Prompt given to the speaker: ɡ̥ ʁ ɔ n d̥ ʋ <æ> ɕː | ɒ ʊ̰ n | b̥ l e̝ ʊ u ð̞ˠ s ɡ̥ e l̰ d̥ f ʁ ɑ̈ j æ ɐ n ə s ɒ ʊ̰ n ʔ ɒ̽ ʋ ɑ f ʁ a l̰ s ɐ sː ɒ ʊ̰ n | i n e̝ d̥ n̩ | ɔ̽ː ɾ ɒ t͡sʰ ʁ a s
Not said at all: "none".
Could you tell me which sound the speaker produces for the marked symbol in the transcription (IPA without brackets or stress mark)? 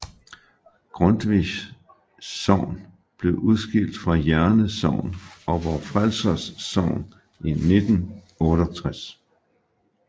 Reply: i